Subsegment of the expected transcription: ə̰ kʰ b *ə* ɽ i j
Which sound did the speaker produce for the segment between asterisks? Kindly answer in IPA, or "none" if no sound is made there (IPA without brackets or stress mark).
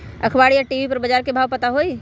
a